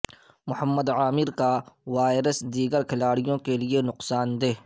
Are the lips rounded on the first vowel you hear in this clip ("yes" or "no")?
yes